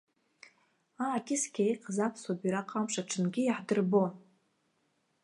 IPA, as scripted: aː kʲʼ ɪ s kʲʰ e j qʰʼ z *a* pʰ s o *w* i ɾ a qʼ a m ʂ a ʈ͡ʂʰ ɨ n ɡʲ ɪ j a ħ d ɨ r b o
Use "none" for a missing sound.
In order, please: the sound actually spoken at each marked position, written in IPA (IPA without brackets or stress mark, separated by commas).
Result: a, b